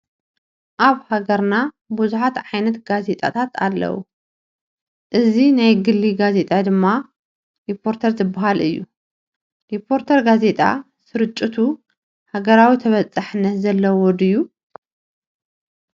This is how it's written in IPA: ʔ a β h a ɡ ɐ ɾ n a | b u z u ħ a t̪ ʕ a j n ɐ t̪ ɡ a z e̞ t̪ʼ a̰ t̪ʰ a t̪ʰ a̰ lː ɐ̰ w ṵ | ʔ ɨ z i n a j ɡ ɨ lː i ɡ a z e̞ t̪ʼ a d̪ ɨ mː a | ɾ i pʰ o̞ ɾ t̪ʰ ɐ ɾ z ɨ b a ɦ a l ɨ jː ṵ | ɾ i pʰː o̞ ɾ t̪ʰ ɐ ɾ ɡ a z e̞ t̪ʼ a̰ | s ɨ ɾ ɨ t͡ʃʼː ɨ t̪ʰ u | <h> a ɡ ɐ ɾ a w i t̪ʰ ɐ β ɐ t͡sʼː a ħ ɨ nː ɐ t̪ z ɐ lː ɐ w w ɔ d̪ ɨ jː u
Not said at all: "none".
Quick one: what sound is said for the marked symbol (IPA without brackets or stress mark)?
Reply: h